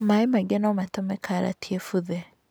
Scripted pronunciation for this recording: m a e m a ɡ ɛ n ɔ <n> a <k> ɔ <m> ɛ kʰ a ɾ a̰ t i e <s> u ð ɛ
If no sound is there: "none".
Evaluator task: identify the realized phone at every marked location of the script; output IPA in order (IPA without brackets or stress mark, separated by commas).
m, t, m, f